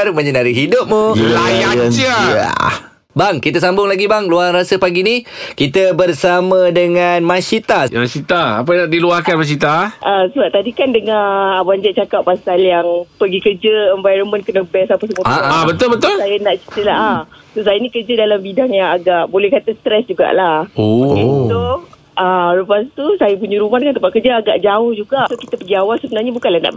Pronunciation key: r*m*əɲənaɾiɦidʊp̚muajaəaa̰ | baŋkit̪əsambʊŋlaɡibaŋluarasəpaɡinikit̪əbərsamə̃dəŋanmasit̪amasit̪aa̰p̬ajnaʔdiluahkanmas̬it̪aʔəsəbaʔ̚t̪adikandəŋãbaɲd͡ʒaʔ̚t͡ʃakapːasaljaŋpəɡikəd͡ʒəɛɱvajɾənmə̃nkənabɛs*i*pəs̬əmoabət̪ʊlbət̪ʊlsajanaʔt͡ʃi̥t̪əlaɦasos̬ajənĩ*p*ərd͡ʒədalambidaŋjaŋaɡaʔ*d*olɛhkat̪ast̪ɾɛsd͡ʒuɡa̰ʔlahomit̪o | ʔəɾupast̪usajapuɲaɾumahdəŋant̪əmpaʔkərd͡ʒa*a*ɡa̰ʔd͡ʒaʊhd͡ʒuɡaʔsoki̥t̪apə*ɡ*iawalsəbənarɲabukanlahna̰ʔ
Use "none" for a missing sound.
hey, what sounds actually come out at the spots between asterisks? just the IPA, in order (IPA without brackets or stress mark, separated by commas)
m, a, k, b, a, ɡ